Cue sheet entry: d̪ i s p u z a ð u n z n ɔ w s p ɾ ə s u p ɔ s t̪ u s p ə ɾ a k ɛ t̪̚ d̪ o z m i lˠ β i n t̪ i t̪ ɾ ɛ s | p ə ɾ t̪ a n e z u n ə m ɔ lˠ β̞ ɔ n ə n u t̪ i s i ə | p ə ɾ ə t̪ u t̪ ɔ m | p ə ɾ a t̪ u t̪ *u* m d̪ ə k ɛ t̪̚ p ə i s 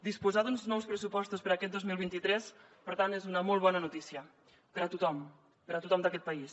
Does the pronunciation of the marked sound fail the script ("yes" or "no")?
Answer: yes